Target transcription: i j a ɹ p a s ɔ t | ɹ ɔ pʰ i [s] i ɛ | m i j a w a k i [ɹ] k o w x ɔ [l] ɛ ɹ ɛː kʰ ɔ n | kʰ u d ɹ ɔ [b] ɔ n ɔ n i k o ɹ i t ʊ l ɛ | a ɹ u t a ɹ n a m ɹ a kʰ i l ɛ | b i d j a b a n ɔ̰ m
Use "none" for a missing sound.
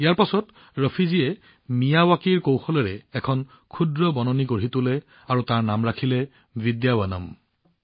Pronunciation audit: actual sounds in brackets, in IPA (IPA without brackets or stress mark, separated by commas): z, ɹ, l, b